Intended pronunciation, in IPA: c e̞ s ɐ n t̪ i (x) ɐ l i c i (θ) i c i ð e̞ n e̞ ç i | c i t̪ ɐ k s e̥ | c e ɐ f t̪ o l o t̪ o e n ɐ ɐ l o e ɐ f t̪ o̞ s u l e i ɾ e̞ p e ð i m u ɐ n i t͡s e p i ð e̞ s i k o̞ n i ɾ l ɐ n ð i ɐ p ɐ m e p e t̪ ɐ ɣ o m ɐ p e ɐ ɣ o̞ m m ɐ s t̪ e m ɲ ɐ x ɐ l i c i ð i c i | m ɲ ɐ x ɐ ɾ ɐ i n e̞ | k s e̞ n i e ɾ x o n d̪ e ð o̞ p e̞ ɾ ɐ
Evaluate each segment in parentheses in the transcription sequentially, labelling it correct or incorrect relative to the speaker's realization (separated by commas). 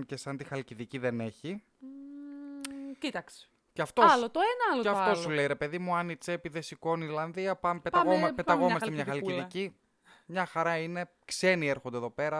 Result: correct, incorrect